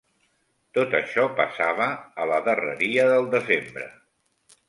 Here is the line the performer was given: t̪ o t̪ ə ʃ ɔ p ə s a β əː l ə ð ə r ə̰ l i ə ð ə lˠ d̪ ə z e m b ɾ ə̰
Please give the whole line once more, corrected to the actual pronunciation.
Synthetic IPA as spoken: t̪ o t̪ ə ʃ ɔ p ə s a β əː l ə ð ə r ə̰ ɾ i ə ð ə lˠ d̪ ə z e m b ɾ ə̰